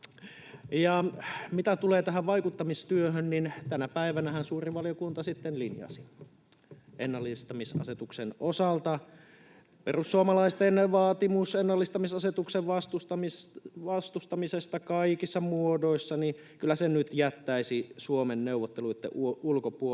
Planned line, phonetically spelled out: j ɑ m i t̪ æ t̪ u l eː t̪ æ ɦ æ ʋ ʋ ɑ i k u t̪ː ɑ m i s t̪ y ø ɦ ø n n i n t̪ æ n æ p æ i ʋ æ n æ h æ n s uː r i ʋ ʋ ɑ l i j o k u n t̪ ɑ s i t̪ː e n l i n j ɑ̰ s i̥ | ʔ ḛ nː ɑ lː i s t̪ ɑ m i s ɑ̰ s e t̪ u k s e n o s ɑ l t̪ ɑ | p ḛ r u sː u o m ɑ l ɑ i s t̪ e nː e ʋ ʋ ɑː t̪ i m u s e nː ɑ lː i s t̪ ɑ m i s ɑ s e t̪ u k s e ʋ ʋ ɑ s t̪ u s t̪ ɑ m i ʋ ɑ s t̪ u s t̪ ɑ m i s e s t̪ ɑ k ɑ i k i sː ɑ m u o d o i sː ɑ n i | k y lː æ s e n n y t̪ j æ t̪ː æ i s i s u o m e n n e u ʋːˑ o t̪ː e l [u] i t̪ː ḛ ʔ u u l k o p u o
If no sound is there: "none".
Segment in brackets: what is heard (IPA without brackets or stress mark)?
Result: u